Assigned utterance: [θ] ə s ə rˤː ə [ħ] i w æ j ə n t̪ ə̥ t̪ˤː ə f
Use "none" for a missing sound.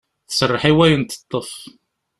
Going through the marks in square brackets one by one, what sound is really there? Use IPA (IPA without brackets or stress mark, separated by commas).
θ, ħ